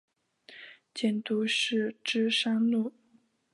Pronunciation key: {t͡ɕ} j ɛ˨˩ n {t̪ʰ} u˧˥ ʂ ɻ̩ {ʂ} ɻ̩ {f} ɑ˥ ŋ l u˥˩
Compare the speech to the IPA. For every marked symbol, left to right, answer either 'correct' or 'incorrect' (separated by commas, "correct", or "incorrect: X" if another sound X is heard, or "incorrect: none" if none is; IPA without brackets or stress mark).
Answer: correct, incorrect: t̪, incorrect: ʈ͡ʂ, incorrect: ʂ